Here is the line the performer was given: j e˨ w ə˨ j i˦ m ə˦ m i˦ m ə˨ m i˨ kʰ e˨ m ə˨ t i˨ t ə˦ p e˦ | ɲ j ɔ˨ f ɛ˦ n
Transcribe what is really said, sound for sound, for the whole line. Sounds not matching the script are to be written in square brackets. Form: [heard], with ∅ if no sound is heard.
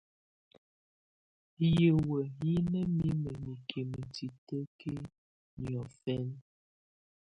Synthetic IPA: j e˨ w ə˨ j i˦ [n] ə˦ m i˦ m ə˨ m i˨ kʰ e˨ m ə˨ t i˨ t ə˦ [k] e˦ | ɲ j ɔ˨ f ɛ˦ n